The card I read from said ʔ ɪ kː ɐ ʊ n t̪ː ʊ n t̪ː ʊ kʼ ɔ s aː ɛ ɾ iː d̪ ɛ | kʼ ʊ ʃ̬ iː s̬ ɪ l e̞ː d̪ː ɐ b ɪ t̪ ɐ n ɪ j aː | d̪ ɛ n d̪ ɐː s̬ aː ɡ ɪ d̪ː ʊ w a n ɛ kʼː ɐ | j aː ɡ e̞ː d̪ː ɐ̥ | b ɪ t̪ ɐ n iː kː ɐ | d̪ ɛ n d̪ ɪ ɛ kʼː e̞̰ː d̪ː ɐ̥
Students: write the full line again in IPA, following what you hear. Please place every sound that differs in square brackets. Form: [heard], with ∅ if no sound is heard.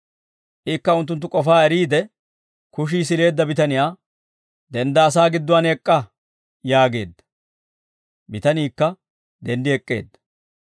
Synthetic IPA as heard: ʔ ɪ kː ɐ ʊ n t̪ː ʊ n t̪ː ʊ kʼ ɔ [f] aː ɛ ɾ iː d̪ ɛ | [k] ʊ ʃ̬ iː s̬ ɪ l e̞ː d̪ː ɐ b ɪ t̪ ɐ n ɪ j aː | d̪ ɛ n d̪ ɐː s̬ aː ɡ ɪ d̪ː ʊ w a n ɛ kʼː ɐ | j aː ɡ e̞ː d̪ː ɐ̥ | b ɪ t̪ ɐ n iː kː ɐ | d̪ ɛ n d̪ ɪ ɛ kʼː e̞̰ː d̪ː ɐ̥

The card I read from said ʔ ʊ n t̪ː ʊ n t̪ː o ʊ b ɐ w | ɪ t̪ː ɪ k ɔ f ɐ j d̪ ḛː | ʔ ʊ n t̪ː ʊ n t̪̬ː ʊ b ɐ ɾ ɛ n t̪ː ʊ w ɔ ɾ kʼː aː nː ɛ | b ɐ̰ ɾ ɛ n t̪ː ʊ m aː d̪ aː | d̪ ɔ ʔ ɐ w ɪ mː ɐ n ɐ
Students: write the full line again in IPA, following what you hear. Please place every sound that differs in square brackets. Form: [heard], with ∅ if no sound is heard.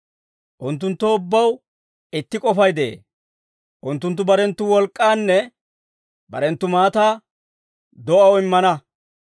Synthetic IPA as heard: ʔ ʊ n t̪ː ʊ n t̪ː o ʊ [bː] ɐ w | ɪ t̪ː ɪ [kʼ] ɔ f ɐ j d̪ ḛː | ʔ ʊ n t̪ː ʊ n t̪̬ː ʊ b ɐ ɾ ɛ n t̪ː ʊ w ɔ [l] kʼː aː nː ɛ | b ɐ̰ ɾ ɛ n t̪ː ʊ m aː [t̪] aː | d̪ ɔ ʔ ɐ w ɪ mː ɐ n ɐ

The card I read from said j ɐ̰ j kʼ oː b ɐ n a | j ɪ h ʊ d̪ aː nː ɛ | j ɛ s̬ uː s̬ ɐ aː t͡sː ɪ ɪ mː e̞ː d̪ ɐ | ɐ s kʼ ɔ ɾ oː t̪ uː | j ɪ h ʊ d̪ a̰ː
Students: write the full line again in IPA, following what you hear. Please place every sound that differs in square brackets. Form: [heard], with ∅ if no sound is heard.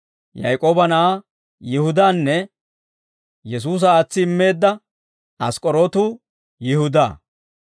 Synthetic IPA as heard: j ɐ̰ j kʼ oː b ɐ n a | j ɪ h ʊ d̪ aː nː ɛ | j ɛ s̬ uː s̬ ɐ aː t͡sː ɪ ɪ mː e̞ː [d̪ː] ɐ | ɐ s kʼ ɔ ɾ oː t̪ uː | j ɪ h ʊ d̪ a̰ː

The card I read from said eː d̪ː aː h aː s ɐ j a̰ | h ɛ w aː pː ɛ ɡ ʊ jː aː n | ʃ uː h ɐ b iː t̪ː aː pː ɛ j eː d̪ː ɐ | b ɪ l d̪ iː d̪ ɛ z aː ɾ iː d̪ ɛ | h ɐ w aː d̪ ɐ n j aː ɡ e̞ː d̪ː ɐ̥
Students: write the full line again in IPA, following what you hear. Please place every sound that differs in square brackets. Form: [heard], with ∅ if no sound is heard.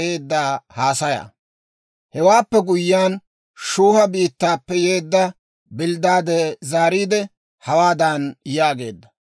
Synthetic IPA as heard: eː d̪ː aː h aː s ɐ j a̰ | h ɛ w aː pː ɛ ɡ ʊ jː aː n | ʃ uː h ɐ b iː t̪ː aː pː ɛ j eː d̪ː ɐ | b ɪ l d̪ [aː] d̪ ɛ z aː ɾ iː d̪ ɛ | h ɐ w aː d̪ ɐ n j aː ɡ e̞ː d̪ː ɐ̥

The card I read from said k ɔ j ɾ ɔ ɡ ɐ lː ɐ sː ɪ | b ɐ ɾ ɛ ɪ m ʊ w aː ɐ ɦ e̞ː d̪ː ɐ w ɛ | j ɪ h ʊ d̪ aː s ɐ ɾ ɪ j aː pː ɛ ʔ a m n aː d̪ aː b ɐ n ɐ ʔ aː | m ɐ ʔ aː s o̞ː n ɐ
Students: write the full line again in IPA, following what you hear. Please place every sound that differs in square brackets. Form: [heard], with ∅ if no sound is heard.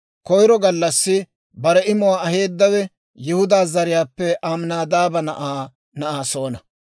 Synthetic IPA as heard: k ɔ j ɾ ɔ ɡ ɐ lː ɐ sː ɪ | b ɐ ɾ ɛ ɪ m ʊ w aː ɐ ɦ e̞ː d̪ː ɐ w ɛ | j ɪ h ʊ d̪ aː [z] ɐ ɾ ɪ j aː pː ɛ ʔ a m n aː d̪ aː b ɐ n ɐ ʔ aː | [n] ɐ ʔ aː s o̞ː n ɐ

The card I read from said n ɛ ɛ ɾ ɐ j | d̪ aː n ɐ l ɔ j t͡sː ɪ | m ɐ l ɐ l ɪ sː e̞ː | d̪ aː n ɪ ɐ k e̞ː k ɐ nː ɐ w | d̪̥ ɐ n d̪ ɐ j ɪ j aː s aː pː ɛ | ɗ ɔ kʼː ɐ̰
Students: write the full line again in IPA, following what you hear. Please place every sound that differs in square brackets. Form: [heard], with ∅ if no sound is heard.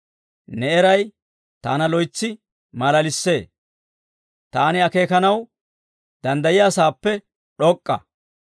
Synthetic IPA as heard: n ɛ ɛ ɾ ɐ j | [t̪] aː n ɐ l ɔ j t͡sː ɪ | m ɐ l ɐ l ɪ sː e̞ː | [t̪] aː n ɪ ɐ k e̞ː k ɐ [n] ɐ w | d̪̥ ɐ n d̪ ɐ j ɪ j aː s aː pː ɛ | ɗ ɔ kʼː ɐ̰

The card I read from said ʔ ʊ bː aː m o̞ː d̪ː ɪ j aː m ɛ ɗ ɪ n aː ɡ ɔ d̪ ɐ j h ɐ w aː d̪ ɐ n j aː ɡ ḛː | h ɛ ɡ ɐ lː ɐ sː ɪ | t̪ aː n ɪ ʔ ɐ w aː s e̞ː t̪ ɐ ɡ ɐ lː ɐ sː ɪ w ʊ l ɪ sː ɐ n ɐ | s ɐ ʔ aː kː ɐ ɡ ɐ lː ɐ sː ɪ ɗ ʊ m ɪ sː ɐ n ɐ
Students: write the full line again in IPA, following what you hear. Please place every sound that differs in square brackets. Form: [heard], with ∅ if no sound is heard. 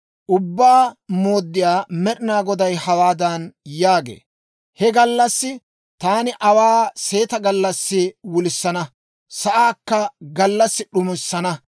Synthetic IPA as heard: ʔ ʊ bː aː m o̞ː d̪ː ɪ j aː m ɛ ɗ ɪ n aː ɡ ɔ d̪ ɐ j h ɐ w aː d̪ ɐ n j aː ɡ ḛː | h ɛ ɡ ɐ lː ɐ sː ɪ | t̪ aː n ɪ ʔ ɐ w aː s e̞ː t̪ ɐ ɡ ɐ lː ɐ sː ɪ w ʊ l ɪ sː ɐ n ɐ | s ɐ ʔ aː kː ɐ ɡ ɐ lː ɐ sː ɪ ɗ ʊ m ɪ sː ɐ n ɐ

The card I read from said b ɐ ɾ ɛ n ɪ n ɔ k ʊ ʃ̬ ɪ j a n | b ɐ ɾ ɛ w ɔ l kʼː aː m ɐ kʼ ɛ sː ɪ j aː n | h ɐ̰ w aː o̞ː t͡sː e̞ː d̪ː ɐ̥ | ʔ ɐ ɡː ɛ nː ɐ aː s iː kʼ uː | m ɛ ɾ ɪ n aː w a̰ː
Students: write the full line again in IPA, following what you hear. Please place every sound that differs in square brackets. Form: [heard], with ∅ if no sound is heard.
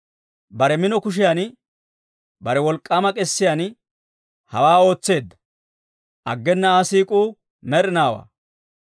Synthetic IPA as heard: b ɐ ɾ ɛ [m] ɪ n ɔ k ʊ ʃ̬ ɪ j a n | b ɐ ɾ ɛ w ɔ l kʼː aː m ɐ kʼ ɛ sː ɪ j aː n | h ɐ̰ w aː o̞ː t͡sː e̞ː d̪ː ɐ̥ | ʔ ɐ ɡː ɛ nː ɐ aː s iː kʼ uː | m ɛ ɾ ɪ n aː w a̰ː

